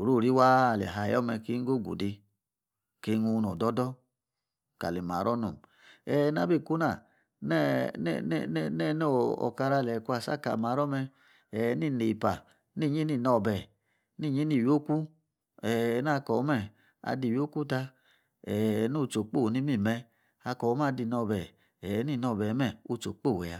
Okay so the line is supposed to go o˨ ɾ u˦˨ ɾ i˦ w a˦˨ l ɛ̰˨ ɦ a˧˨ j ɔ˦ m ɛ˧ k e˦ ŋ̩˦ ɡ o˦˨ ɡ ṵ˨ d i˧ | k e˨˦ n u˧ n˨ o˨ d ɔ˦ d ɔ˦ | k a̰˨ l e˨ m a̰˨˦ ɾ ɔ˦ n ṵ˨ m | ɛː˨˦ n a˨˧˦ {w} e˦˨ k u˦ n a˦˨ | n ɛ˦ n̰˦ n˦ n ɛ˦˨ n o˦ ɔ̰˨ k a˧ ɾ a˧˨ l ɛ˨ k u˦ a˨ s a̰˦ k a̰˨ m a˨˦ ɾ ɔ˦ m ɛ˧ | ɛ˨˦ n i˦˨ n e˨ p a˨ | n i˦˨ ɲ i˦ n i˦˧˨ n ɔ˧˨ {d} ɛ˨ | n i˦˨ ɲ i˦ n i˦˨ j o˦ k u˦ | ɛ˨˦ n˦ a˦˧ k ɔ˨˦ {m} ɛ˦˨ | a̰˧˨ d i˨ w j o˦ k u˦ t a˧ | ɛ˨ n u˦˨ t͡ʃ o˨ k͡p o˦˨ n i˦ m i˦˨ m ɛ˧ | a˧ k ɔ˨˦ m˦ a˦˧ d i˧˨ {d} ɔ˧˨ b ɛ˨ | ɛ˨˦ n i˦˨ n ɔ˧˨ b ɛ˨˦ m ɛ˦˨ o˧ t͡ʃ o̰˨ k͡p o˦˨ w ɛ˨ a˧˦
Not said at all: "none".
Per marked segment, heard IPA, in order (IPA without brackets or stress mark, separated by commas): b, b, m, n